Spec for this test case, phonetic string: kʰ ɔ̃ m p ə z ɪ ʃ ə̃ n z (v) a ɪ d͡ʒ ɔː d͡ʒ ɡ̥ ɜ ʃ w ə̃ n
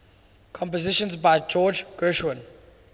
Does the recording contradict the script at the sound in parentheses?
yes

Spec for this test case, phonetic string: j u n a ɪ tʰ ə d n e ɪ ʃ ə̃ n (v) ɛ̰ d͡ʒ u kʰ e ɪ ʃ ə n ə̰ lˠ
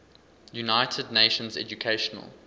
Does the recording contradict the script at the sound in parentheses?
yes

